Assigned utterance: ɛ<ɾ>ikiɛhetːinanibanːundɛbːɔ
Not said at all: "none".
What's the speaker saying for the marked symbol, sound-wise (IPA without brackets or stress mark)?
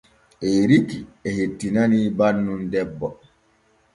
ɾ